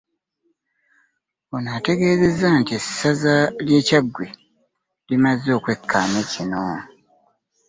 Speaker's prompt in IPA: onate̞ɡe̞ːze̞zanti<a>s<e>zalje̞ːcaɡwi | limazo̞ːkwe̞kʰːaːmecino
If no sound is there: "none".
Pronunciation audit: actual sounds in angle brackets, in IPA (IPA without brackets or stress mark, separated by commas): e, a